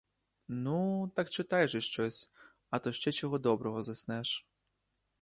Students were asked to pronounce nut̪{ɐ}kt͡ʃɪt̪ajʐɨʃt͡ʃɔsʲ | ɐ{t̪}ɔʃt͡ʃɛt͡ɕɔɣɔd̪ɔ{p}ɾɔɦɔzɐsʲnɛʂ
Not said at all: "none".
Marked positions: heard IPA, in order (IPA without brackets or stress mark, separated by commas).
a, t̪, b